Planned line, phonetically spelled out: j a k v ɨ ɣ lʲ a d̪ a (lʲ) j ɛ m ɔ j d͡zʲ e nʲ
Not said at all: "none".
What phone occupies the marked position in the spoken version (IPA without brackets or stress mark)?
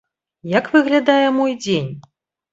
none